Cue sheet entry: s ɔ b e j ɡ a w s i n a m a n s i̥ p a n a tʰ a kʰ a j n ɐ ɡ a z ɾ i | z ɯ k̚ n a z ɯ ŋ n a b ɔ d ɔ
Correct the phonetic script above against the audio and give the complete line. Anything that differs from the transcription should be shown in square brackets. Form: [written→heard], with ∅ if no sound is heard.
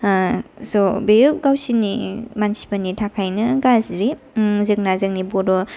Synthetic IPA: s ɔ b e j ɡ a w s i n [a→i] m a n s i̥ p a n [a→i] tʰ a kʰ a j n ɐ ɡ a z ɾ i | z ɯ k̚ n a z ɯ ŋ n [a→i] b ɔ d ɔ